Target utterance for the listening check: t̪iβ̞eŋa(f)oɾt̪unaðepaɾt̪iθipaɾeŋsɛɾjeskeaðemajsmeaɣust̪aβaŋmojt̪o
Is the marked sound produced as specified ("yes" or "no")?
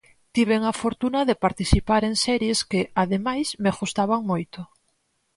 yes